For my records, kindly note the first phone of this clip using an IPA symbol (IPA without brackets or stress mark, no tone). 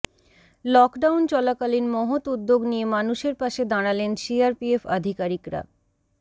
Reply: l